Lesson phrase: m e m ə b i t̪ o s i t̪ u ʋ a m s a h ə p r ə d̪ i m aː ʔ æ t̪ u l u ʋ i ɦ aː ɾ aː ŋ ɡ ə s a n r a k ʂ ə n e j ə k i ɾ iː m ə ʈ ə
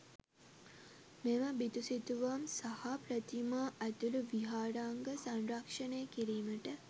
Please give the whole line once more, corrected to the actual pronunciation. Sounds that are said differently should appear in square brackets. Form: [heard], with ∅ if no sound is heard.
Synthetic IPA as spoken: m e m ə b i t̪ [u] s i t̪ u ʋ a m s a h [a] p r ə [t̪] i m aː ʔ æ t̪ u l u ʋ i ɦ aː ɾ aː ŋ ɡ ə s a n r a k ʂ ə n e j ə k i ɾ iː m ə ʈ ə